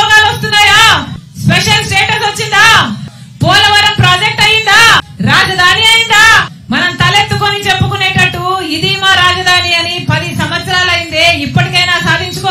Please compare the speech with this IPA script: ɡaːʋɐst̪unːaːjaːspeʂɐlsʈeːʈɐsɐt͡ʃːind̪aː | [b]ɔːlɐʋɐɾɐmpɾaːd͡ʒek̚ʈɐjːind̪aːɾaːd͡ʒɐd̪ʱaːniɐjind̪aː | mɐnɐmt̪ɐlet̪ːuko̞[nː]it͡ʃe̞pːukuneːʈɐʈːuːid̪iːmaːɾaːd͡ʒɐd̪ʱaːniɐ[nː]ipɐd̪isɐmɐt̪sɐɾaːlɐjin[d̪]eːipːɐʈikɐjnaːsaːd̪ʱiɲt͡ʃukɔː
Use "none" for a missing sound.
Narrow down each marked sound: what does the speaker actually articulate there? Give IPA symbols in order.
p, n, n, d̪

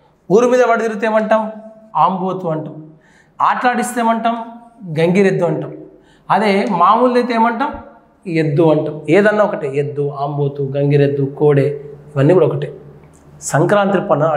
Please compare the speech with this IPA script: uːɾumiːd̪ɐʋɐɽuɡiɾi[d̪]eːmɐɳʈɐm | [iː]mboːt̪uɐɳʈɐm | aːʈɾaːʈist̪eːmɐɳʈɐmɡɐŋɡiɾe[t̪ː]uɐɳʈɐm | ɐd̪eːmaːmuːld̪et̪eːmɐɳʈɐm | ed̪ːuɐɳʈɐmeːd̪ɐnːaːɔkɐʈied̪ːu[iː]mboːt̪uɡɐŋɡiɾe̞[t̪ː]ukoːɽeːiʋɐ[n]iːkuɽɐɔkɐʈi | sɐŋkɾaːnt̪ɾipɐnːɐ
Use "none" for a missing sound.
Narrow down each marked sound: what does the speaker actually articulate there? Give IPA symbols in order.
t̪, aː, d̪ː, aː, d̪ː, nː

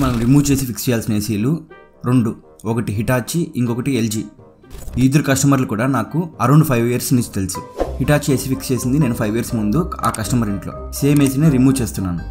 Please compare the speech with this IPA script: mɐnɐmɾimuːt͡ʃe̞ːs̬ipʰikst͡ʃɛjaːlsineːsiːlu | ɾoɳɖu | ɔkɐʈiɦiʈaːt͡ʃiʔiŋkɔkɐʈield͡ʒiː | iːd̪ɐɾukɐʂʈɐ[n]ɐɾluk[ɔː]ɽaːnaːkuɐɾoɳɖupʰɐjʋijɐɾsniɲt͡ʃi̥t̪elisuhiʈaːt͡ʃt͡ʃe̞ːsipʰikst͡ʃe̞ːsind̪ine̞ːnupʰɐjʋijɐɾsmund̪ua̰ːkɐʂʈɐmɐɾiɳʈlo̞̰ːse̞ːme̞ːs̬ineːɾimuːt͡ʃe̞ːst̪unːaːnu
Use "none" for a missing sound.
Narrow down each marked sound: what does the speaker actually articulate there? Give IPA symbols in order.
m, uː

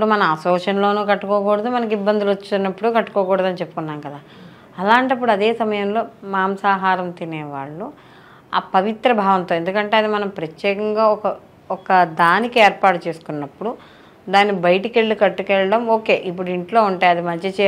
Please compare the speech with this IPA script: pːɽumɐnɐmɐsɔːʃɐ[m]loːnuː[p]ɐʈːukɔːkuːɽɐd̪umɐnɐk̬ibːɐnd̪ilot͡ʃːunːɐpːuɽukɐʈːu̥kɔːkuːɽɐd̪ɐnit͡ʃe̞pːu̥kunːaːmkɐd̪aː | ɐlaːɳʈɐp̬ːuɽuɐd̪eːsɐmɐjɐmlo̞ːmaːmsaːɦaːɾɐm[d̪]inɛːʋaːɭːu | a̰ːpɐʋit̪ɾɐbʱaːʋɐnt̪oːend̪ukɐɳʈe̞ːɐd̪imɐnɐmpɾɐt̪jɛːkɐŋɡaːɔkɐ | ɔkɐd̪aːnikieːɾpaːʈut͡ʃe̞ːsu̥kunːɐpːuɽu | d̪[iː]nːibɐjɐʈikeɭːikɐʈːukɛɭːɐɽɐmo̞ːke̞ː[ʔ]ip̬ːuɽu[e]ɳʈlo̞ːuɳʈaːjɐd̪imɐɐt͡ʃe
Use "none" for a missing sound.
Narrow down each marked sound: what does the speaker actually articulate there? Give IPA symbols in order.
n, k, t̪, aː, ʔ, i

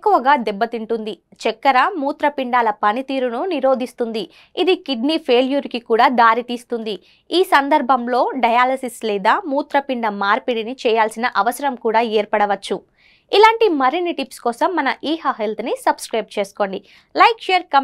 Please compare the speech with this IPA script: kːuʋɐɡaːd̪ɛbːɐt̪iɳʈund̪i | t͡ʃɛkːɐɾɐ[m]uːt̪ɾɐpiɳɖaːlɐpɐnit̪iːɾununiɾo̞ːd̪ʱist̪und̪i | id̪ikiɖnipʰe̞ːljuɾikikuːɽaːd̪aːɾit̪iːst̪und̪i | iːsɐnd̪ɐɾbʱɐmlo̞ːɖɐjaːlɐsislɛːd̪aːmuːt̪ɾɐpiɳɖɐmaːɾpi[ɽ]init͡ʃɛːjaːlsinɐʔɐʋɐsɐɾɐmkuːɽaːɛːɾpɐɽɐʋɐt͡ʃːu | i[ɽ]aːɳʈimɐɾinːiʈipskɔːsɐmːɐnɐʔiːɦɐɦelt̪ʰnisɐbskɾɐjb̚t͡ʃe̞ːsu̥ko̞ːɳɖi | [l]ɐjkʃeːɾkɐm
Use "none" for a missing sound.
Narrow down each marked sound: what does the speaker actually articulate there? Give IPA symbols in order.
m, ɽ, l, l

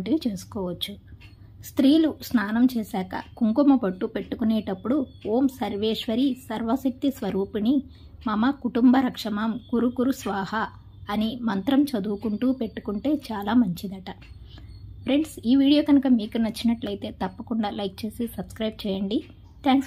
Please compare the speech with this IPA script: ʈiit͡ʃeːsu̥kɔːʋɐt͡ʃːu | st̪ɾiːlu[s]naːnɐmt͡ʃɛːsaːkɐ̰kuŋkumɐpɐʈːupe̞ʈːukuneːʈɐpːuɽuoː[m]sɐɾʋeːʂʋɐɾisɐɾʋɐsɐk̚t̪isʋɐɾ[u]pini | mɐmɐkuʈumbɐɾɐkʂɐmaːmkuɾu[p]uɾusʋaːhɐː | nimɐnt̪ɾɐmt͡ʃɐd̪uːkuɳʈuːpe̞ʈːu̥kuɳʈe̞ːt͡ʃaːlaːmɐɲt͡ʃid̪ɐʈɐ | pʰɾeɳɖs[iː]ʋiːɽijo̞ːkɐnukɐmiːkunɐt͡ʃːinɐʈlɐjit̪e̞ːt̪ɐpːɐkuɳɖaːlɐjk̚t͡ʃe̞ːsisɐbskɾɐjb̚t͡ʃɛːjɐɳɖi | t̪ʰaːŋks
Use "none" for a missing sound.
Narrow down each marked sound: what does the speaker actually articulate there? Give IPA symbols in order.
s, m, uː, k, iː

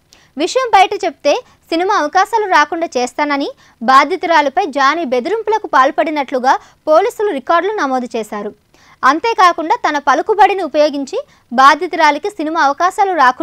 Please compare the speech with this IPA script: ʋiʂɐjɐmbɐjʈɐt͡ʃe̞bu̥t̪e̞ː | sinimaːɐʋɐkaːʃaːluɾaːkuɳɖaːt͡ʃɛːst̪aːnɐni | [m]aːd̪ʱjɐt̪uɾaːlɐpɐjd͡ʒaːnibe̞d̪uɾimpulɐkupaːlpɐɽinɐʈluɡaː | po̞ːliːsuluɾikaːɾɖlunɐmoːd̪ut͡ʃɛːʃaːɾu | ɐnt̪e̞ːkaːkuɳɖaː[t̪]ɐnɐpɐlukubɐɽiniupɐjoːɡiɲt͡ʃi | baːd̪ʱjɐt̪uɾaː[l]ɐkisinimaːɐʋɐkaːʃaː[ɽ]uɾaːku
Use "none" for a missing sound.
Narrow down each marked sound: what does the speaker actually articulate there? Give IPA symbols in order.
b, t̪, l, l

